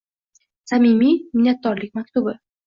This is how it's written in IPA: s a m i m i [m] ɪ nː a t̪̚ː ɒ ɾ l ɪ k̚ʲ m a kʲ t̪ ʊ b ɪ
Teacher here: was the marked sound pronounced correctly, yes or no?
yes